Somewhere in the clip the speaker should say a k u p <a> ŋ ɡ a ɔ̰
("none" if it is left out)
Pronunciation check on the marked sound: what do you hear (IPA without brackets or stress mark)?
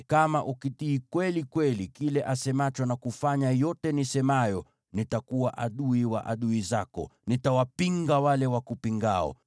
i